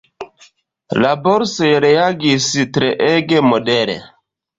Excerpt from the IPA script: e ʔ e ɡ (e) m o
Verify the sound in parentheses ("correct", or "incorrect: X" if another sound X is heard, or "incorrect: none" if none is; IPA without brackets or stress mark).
correct